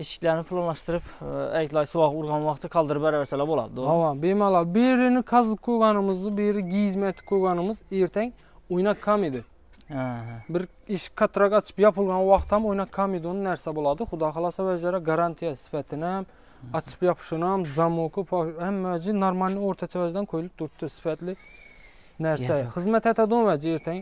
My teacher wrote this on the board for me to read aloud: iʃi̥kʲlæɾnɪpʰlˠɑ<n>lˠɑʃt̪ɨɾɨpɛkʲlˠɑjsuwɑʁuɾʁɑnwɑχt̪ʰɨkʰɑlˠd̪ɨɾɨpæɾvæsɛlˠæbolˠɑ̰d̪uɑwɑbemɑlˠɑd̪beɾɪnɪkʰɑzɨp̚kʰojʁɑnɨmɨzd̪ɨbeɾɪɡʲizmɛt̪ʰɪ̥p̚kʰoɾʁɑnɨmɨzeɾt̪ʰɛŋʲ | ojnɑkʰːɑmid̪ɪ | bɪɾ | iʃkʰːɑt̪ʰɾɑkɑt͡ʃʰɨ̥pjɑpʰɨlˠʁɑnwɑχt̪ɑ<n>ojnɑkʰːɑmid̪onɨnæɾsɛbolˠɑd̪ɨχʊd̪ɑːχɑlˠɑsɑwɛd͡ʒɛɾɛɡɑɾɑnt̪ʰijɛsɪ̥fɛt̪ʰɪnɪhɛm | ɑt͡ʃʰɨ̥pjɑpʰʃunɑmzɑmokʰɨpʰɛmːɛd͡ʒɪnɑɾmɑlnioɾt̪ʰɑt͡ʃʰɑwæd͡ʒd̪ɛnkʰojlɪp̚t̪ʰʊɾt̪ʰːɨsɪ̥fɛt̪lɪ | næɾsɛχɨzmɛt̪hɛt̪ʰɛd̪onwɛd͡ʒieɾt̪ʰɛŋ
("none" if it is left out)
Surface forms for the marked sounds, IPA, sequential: n, m

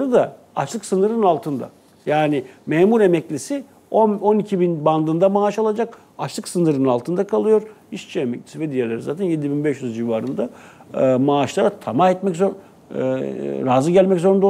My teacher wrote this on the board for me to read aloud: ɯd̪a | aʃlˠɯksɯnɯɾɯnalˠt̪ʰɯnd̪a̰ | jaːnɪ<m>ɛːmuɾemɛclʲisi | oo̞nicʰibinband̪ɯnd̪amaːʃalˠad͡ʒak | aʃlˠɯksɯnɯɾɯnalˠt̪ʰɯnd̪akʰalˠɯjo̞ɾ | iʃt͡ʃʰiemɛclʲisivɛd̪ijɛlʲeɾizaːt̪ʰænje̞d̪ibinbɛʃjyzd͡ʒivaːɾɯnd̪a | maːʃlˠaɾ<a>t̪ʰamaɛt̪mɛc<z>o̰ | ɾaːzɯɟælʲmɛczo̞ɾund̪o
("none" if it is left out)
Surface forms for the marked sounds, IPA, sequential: m, a, z

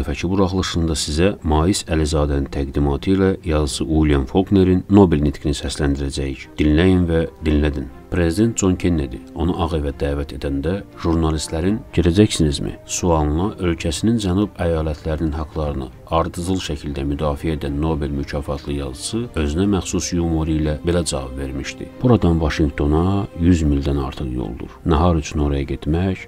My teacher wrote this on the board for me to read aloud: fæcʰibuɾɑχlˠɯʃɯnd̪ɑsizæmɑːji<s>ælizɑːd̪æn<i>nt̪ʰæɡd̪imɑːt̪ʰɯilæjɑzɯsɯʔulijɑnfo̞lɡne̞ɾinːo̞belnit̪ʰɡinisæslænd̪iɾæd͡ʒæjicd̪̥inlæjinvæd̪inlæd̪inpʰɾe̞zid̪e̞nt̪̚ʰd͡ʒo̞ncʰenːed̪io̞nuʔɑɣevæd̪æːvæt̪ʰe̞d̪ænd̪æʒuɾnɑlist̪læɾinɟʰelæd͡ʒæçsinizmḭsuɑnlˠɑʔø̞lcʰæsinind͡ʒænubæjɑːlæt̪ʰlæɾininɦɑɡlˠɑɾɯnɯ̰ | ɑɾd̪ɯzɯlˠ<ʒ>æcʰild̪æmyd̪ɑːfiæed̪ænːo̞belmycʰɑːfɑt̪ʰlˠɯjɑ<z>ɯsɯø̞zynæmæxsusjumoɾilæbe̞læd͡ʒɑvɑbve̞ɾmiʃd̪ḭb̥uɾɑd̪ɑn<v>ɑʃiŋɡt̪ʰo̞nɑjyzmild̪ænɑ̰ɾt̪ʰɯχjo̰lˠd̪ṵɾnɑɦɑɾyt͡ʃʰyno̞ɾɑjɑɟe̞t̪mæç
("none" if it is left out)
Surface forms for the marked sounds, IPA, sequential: s, i, ʃ, z, v

